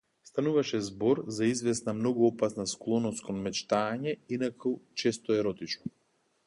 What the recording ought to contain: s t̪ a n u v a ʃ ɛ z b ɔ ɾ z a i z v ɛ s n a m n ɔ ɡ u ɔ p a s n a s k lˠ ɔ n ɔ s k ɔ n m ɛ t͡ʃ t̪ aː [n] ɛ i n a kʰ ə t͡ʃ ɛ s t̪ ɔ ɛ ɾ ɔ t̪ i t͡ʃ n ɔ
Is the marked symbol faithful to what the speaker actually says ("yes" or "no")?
no